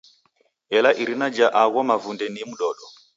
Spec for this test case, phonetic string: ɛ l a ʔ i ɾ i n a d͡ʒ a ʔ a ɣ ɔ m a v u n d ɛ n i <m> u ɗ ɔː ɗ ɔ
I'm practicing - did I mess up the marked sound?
no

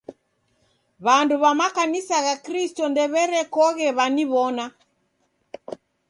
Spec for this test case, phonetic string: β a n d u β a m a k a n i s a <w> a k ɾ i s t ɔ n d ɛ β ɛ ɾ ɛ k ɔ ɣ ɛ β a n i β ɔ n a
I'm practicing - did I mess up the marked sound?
yes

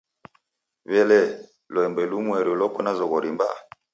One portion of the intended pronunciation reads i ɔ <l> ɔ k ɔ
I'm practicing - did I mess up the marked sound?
no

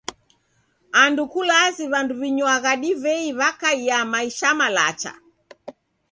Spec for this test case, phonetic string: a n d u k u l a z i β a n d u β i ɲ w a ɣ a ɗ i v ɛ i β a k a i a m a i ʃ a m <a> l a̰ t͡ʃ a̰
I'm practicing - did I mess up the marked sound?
no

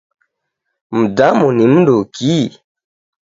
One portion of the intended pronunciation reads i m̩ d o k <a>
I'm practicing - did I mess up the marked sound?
yes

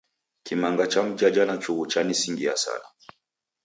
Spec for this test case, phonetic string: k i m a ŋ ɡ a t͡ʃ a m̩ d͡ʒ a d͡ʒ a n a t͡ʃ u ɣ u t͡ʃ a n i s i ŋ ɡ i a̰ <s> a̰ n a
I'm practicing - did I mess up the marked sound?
no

